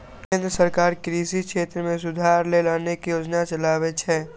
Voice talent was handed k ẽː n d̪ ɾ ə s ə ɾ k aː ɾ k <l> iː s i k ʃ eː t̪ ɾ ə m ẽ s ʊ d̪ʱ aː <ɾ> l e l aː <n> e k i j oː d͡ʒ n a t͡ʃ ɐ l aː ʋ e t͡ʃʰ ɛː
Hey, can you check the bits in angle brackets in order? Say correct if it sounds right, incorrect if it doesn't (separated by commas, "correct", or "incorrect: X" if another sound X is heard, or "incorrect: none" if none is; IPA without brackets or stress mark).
incorrect: ɾ, correct, correct